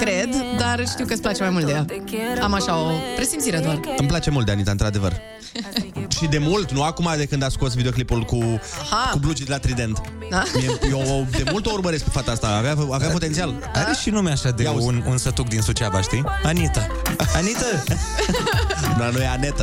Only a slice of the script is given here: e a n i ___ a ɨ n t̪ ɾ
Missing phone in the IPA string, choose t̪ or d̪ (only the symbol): t̪